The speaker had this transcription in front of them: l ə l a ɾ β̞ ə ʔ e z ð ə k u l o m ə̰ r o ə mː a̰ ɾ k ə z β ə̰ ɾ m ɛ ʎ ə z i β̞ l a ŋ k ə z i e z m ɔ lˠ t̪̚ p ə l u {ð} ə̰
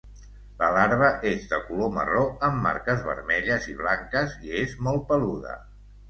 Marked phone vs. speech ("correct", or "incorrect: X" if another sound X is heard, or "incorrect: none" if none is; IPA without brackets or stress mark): correct